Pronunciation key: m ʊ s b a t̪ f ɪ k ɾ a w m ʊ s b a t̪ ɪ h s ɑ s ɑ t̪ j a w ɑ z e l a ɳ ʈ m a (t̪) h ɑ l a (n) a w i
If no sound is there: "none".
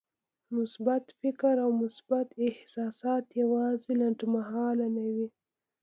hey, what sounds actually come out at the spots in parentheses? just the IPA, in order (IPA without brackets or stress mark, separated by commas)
none, n